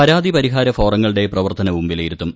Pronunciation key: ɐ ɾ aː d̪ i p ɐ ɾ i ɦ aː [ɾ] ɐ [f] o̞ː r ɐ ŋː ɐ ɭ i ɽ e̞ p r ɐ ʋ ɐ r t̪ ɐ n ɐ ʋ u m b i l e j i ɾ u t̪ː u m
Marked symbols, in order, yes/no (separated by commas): yes, yes